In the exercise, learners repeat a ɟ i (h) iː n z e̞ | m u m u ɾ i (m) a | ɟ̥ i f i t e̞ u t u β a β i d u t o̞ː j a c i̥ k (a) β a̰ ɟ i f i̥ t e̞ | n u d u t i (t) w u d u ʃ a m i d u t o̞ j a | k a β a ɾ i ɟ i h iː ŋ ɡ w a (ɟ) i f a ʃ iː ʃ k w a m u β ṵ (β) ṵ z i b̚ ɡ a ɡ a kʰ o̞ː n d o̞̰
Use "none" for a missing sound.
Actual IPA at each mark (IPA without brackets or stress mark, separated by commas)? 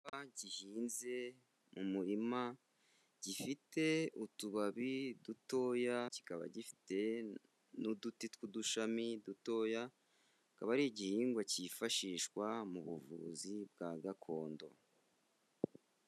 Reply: h, m, a, t, c, v